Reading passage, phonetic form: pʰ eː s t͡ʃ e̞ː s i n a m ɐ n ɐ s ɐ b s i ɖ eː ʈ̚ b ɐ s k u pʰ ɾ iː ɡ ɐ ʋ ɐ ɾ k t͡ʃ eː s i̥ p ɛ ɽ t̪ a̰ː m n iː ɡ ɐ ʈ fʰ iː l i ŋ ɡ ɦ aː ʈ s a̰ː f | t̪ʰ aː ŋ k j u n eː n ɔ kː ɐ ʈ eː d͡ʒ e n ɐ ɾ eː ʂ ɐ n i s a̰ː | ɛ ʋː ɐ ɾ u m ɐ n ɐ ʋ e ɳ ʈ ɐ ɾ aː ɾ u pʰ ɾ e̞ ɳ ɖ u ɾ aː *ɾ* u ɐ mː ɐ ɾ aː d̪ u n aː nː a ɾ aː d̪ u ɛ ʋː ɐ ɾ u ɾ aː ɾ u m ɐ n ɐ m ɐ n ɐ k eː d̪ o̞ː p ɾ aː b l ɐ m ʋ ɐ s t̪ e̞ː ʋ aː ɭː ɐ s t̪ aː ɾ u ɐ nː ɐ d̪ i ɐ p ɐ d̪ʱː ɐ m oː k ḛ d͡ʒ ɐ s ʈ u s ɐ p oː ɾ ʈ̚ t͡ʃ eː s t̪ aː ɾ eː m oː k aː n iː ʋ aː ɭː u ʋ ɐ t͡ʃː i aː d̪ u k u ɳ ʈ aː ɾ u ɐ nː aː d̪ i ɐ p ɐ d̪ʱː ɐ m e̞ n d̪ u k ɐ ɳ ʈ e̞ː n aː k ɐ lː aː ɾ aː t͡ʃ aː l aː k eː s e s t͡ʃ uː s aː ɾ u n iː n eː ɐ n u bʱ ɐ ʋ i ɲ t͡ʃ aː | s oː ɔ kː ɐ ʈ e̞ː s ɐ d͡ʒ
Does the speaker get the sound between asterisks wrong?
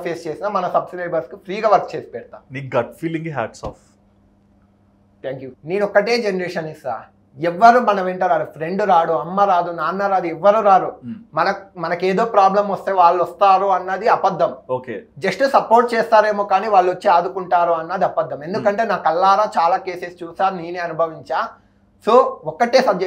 yes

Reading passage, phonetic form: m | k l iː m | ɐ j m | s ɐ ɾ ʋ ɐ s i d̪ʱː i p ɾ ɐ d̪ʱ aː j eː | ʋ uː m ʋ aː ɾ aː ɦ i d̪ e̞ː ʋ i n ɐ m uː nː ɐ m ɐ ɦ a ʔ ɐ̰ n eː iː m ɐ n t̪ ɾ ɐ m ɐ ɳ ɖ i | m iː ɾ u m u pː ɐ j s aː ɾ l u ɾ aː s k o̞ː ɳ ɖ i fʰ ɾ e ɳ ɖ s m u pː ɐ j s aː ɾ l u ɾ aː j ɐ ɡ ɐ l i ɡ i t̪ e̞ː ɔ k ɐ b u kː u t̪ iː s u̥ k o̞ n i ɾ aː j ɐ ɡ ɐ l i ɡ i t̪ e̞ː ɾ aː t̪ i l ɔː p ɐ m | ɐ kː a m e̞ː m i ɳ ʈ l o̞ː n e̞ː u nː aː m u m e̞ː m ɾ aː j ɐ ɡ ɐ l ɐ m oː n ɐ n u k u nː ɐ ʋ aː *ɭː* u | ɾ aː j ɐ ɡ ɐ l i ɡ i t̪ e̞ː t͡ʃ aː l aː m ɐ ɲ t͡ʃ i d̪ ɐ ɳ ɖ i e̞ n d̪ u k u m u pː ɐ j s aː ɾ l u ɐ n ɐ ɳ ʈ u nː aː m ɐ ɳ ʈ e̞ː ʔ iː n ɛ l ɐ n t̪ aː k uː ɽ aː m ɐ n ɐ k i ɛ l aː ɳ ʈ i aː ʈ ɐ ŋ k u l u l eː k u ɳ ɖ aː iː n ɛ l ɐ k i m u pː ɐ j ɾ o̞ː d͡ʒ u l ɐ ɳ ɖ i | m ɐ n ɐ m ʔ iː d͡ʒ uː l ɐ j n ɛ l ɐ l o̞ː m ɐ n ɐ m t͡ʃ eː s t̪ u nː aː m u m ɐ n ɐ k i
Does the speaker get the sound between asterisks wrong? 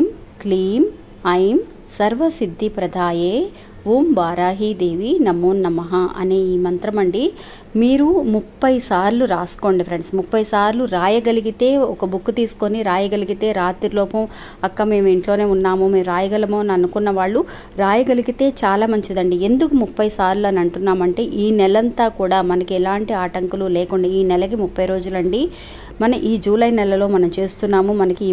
no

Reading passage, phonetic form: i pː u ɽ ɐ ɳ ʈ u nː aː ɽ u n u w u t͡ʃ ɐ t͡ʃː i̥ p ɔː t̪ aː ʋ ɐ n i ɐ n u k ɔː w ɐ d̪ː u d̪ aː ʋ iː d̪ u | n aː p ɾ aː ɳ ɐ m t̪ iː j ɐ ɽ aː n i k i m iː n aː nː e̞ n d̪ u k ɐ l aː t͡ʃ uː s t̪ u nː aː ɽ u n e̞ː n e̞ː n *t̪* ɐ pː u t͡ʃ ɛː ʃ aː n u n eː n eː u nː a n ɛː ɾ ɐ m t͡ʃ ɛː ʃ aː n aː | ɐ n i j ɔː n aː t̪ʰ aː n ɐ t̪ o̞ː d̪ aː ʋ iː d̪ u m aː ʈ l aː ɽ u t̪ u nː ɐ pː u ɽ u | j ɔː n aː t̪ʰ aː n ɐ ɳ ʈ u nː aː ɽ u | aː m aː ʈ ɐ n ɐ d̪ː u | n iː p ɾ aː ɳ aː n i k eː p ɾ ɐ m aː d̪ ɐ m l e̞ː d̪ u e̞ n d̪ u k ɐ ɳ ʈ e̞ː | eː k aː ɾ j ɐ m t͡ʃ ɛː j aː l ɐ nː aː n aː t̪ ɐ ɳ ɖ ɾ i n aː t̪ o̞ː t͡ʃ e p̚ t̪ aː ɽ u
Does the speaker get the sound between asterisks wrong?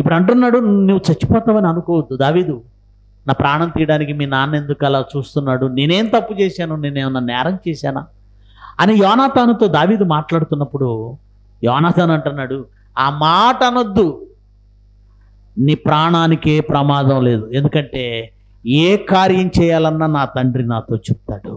no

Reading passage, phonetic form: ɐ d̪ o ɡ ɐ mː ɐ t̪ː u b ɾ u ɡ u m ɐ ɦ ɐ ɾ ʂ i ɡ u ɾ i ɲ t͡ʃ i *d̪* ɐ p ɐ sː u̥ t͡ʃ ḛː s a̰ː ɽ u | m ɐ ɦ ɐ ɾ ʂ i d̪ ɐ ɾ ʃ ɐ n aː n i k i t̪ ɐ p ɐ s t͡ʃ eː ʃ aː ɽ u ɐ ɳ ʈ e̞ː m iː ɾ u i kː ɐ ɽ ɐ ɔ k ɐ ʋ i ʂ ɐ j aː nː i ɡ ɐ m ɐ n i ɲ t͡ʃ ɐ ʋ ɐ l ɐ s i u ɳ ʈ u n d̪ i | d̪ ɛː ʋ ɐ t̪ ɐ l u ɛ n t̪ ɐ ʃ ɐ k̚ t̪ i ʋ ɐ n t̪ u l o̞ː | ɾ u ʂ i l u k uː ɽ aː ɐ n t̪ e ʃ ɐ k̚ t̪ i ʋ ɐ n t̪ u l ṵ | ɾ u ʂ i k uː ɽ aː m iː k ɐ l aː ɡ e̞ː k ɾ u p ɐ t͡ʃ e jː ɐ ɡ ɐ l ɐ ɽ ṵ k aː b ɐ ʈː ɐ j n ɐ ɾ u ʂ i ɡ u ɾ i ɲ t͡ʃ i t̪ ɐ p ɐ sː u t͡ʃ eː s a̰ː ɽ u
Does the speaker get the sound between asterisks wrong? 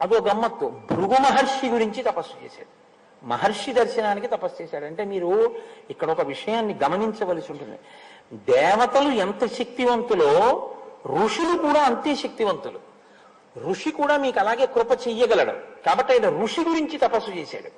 yes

